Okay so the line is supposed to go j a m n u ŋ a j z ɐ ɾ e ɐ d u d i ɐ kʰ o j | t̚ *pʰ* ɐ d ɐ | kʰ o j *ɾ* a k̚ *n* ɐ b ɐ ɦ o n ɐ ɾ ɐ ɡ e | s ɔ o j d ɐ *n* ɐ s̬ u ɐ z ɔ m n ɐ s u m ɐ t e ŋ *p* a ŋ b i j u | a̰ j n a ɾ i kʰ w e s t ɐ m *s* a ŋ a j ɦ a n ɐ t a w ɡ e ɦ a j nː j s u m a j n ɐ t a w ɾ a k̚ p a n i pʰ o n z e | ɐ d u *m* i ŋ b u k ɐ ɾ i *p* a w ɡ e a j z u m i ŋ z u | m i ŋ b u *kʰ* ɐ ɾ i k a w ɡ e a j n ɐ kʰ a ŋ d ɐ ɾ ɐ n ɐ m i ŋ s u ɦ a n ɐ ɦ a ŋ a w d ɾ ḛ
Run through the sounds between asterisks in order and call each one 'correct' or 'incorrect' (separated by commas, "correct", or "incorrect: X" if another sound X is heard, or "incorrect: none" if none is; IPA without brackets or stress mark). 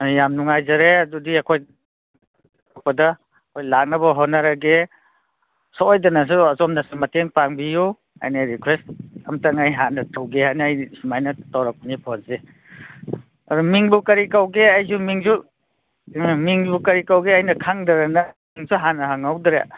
incorrect: p, incorrect: l, correct, correct, correct, incorrect: t, correct, incorrect: k, incorrect: k